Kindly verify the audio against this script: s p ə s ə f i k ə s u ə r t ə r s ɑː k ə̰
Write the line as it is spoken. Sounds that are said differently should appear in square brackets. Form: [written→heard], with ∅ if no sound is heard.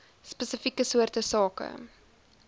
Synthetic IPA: s p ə s ə f i k ə s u ə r t ə [r→∅] s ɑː k ə̰